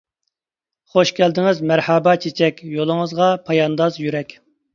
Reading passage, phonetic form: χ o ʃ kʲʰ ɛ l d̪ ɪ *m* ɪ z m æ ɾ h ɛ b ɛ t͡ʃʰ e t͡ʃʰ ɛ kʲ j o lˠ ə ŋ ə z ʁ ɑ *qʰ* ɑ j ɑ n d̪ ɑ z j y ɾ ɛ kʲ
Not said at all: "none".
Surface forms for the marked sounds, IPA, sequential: ŋ, pʰ

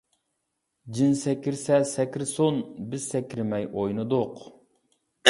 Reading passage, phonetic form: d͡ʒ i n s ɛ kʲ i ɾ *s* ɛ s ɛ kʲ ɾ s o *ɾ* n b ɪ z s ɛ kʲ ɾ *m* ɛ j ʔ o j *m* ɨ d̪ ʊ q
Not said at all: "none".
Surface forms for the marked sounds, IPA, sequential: s, none, m, n

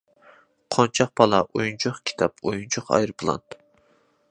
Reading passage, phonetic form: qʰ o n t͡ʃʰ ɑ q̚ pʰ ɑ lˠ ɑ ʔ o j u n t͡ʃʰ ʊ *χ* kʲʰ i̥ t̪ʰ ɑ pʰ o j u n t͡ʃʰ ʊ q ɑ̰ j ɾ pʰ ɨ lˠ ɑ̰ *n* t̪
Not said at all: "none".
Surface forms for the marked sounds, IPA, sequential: χ, n

